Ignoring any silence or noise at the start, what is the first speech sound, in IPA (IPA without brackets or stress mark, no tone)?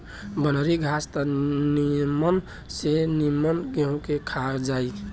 b